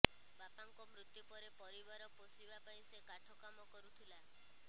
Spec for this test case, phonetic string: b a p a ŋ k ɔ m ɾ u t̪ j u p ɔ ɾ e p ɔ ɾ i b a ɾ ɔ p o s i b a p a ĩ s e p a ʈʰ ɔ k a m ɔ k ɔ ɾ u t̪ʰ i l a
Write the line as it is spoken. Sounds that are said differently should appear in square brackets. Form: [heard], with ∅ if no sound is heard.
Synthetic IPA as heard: b a p a ŋ k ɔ m ɾ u t̪ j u p ɔ ɾ e p ɔ ɾ i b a ɾ ɔ p o s i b a p a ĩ s e [k] a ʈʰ ɔ k a m ɔ k ɔ ɾ u t̪ʰ i l a